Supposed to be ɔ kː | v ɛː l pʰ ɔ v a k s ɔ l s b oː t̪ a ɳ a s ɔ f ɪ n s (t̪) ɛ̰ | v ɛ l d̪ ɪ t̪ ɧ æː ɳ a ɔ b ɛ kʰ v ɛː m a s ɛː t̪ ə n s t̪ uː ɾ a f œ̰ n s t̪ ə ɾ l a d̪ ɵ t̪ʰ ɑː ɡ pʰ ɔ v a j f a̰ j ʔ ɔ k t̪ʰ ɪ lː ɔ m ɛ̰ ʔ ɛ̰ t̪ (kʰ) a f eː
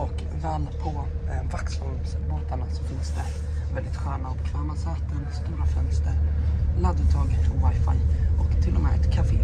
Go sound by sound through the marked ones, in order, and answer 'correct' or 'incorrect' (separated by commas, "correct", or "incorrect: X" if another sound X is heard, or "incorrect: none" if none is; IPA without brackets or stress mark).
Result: incorrect: d̪, correct